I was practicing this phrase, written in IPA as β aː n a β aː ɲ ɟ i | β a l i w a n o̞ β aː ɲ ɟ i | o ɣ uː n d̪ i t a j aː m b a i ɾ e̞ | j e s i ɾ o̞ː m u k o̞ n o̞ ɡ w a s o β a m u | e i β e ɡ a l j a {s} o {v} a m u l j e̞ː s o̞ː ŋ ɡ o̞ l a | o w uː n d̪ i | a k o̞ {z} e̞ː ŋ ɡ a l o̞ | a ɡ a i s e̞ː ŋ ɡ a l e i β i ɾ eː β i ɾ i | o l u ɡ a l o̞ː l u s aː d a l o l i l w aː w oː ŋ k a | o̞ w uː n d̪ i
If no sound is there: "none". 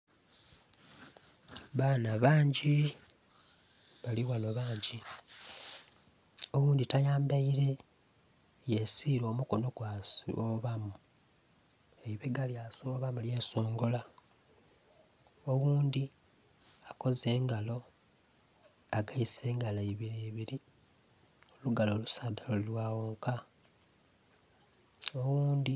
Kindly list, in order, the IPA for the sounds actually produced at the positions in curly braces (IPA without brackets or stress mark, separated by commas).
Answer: s, β, z